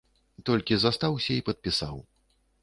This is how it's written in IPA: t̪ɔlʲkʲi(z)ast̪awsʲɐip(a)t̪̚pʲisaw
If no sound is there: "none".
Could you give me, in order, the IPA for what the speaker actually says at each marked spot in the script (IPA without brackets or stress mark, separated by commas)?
z, ɐ